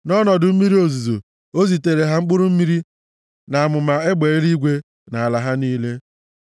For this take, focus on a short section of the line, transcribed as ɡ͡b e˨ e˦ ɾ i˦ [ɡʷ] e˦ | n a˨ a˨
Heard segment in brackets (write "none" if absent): ɡʷ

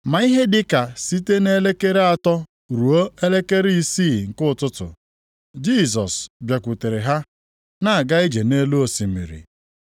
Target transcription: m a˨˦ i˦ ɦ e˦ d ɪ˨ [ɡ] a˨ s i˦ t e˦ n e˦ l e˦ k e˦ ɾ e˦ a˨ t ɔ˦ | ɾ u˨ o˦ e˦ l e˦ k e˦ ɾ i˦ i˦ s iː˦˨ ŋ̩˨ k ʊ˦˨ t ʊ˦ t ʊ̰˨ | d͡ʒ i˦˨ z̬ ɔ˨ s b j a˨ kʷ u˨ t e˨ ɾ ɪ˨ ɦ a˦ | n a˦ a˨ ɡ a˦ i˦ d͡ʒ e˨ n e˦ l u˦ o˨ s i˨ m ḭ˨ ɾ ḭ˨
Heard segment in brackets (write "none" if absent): k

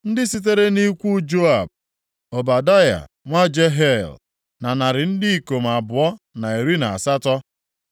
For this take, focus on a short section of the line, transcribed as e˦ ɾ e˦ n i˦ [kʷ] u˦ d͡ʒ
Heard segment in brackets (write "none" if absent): kʷ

